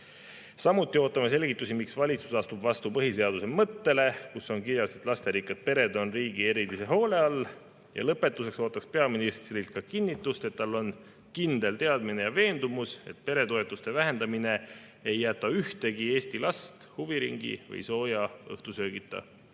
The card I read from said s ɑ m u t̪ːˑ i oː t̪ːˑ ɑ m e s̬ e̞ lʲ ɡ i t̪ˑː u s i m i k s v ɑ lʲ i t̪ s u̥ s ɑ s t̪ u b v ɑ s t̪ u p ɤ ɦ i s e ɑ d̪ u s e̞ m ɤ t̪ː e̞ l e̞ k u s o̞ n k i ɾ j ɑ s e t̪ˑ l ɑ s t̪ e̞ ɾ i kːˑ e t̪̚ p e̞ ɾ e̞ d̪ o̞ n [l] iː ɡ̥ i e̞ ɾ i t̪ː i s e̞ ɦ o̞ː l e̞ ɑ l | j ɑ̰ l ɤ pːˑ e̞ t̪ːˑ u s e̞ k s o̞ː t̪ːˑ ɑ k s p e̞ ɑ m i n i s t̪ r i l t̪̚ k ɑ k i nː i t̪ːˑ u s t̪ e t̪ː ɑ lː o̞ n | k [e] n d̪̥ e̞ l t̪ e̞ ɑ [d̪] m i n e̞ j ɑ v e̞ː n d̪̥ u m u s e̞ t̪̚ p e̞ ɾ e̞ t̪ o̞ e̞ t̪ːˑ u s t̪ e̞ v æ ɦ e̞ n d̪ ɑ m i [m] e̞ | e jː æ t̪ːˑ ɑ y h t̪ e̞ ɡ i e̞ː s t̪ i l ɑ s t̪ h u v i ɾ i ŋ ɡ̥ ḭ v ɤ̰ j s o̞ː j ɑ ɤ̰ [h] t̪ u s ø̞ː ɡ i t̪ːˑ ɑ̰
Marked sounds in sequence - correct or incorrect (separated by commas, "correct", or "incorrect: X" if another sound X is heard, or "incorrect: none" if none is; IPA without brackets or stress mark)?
incorrect: r, incorrect: i, correct, incorrect: n, correct